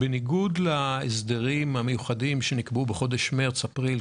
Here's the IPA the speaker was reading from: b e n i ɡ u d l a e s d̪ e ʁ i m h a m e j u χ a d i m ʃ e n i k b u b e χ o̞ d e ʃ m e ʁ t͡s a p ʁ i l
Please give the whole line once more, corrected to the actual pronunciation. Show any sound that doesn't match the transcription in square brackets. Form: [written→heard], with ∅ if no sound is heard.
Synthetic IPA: b e n i ɡ u d l a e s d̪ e ʁ i m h a m e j u χ a d i m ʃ e n i k b u b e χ o̞ d e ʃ m e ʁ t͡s a p ʁ i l